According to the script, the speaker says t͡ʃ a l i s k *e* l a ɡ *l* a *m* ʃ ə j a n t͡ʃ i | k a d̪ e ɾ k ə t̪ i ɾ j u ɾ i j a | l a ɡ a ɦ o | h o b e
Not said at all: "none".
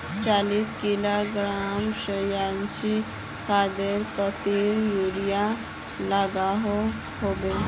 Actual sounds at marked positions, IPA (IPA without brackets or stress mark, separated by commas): i, ɾ, m